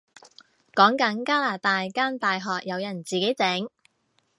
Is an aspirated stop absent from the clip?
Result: yes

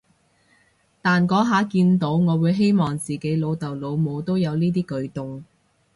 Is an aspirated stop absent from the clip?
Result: yes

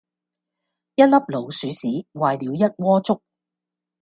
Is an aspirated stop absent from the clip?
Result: yes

